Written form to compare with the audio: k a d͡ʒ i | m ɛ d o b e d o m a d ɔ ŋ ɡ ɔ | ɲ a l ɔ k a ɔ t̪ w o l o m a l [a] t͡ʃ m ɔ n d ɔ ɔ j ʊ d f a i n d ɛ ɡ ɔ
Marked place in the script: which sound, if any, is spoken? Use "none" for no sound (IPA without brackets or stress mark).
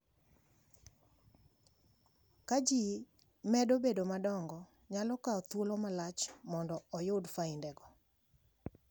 a